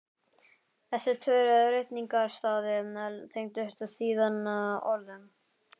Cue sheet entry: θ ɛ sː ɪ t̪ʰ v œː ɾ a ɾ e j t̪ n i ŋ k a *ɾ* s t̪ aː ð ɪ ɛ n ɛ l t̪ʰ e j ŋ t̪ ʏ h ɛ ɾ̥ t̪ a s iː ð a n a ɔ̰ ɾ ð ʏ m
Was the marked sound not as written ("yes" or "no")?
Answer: no